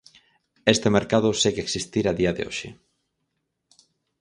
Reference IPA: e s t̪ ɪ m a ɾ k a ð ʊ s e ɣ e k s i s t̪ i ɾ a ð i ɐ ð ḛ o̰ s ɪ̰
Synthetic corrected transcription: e s t̪ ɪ m e ɾ k a ð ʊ s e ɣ e k s i s t̪ i ɾ a ð i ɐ ð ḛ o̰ ʃ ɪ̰